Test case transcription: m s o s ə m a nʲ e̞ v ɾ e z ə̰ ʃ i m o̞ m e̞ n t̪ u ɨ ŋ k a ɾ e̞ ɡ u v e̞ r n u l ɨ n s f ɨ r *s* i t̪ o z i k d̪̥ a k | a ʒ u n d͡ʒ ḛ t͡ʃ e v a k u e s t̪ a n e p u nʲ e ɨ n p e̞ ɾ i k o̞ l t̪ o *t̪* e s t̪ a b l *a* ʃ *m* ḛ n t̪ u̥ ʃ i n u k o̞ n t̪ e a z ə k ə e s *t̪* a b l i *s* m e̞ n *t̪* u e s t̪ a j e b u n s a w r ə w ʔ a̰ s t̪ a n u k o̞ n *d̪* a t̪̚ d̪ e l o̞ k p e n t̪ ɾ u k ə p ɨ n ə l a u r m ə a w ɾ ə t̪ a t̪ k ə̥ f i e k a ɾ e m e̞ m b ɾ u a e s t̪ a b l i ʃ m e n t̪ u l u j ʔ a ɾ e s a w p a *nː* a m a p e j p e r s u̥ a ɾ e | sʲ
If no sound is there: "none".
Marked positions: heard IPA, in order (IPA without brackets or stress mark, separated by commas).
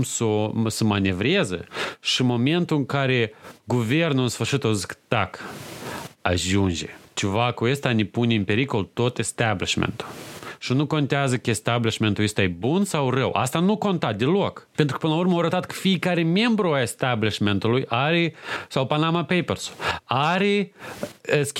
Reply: ʃ, t̪, i, m, t̪, ʃ, t̪, t̪, n